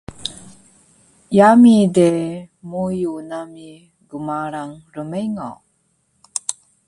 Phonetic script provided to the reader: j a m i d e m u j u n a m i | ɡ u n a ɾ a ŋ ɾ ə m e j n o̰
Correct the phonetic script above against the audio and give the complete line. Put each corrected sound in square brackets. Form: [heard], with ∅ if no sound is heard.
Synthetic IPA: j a m i d e m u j u n a m i | ɡ u [m] a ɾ a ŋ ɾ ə m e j [ŋ] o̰